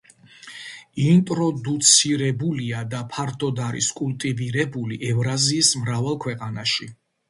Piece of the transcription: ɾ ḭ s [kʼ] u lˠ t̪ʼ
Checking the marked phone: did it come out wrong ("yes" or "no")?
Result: no